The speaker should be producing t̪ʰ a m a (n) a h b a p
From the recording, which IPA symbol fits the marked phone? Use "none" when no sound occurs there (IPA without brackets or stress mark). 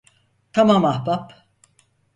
m